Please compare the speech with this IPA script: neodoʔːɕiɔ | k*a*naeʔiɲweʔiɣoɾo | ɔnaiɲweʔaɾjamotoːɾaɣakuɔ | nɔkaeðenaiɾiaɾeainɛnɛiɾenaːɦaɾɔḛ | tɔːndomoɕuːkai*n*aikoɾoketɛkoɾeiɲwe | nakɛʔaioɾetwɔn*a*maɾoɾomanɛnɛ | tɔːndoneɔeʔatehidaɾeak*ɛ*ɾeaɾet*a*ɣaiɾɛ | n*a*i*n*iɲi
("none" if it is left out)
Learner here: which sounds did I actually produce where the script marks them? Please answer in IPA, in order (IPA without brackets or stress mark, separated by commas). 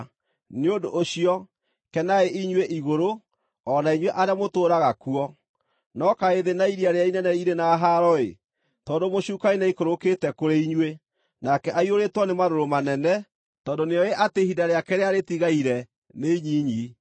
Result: ɛ, n, e, ɛ, i, e, ɲ